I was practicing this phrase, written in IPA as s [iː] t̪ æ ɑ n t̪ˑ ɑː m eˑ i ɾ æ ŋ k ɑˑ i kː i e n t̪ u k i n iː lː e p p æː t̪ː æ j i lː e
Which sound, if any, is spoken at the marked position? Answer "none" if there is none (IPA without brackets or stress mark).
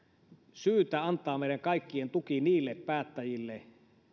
yː